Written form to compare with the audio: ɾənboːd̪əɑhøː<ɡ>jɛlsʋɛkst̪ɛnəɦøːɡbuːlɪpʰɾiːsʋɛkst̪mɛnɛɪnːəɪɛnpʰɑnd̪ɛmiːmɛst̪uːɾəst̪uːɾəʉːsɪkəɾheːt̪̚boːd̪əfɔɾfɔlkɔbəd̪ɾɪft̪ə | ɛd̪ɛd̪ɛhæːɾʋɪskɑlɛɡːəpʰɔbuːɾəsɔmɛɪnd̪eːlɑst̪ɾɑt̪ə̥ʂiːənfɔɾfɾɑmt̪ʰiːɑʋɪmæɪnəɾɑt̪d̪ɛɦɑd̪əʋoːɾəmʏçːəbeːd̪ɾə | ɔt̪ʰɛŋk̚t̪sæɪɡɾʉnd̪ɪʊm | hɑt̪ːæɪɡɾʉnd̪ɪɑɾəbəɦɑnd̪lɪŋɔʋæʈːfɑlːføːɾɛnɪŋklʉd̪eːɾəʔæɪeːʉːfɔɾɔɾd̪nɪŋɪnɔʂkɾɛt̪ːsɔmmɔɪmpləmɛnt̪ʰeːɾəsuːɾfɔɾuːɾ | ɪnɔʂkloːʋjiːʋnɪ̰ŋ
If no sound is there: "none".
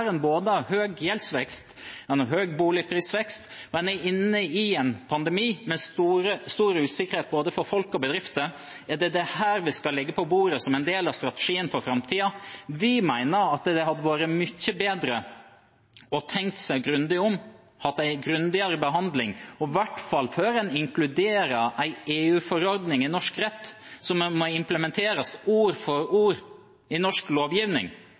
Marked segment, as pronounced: ɡ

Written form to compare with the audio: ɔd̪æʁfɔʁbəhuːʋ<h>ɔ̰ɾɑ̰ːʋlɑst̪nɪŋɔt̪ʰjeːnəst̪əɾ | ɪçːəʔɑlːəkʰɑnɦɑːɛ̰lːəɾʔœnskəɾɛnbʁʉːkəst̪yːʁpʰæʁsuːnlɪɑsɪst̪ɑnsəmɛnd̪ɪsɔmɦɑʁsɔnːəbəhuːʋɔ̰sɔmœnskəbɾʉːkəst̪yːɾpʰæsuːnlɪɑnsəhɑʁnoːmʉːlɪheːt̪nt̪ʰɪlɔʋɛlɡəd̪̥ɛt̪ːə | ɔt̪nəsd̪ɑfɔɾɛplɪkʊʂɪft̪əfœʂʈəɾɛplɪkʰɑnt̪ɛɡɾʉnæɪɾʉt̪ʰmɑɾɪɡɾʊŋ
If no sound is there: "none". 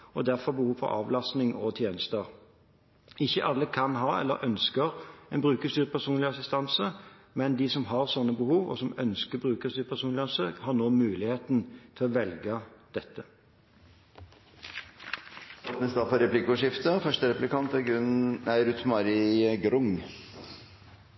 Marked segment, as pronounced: f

